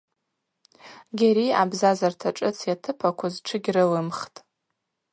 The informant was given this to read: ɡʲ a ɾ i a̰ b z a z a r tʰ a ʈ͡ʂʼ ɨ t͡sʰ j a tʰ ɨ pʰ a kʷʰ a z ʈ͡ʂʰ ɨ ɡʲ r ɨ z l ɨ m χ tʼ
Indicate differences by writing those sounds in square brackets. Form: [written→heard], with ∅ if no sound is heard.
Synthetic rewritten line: ɡʲ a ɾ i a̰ b z a z a r tʰ a ʈ͡ʂʼ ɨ t͡sʰ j a tʰ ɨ pʰ a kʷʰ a z ʈ͡ʂʰ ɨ ɡʲ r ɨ [z→∅] l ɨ m χ tʼ